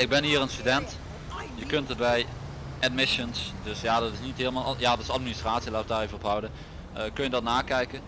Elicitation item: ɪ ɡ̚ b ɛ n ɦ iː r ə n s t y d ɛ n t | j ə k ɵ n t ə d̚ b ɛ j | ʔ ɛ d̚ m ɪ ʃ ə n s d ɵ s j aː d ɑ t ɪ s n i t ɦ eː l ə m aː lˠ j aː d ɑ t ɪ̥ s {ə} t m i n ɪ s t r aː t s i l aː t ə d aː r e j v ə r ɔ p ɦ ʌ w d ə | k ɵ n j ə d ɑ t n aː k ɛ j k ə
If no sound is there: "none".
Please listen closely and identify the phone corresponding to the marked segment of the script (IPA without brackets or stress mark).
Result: ɑ